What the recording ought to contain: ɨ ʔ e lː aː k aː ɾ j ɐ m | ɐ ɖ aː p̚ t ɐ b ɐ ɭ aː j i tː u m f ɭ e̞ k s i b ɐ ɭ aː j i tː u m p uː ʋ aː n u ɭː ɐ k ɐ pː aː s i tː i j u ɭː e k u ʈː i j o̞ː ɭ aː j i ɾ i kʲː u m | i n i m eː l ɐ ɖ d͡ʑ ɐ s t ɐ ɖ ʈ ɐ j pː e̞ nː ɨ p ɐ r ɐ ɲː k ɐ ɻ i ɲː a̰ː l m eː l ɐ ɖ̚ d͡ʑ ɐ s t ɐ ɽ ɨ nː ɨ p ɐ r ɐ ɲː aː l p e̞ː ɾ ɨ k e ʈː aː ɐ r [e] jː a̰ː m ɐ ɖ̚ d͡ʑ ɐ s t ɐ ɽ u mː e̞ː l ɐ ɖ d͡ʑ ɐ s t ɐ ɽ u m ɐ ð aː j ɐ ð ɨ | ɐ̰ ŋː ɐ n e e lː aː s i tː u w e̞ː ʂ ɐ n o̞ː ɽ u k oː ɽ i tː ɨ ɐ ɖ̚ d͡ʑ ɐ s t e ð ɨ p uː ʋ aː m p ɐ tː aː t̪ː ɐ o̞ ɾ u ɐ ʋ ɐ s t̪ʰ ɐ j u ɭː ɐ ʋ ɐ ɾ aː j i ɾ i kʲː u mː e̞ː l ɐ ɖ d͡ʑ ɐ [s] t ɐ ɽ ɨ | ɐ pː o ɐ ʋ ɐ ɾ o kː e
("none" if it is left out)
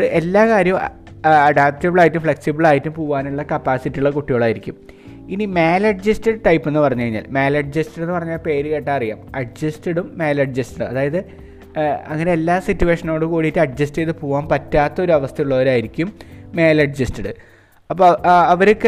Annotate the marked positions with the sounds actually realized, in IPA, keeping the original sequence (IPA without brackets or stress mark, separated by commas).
i, s